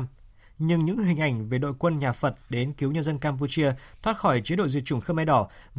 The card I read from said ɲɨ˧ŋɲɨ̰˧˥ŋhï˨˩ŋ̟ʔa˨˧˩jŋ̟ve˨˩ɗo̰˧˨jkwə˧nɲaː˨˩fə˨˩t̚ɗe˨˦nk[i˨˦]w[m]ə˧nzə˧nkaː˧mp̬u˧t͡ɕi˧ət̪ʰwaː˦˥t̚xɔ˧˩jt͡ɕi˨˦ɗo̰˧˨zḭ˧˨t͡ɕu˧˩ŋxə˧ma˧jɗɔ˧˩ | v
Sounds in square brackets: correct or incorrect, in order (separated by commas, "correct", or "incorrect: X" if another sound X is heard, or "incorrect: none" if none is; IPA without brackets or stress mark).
correct, incorrect: ɲ